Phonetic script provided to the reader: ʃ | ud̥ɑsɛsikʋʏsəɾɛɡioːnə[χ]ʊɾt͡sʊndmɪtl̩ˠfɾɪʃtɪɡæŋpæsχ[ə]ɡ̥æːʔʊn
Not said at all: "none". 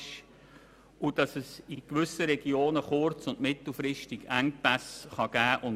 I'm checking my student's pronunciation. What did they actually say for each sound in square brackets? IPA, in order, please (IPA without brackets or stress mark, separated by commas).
χ, ɑ